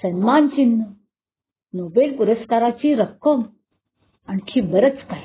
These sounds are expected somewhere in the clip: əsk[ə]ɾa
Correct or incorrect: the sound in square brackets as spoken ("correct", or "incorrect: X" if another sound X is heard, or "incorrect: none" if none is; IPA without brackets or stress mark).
incorrect: a